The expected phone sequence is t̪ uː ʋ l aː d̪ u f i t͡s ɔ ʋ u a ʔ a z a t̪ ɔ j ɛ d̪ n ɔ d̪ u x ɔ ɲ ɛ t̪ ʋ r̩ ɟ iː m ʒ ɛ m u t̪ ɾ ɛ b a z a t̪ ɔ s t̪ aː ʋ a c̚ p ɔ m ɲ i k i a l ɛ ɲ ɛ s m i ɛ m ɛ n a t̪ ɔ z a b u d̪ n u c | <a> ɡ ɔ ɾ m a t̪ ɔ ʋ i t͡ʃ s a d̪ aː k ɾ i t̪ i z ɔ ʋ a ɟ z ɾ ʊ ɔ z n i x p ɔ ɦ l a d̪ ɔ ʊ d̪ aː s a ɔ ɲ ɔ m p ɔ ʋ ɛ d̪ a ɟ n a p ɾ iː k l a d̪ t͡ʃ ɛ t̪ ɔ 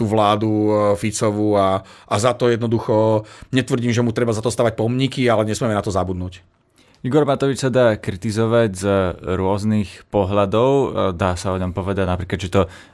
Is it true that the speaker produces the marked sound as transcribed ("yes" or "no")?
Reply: no